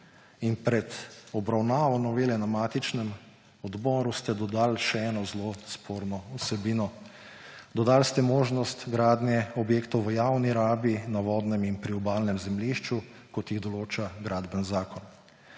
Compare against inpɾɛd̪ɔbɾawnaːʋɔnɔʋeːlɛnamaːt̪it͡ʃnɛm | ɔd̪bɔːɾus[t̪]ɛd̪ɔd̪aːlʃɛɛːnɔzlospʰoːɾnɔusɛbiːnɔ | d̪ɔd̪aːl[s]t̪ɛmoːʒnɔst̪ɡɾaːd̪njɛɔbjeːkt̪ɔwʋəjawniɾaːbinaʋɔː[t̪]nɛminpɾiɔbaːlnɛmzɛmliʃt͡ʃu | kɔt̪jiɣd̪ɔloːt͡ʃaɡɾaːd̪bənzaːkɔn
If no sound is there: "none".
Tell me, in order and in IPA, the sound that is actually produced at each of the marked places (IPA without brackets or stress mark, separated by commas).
t̪, s, d̪